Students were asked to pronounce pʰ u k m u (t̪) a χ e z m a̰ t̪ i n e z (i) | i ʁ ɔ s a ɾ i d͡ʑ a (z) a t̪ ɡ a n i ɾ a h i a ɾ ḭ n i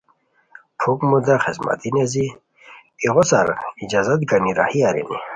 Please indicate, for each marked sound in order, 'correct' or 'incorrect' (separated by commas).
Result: incorrect, correct, correct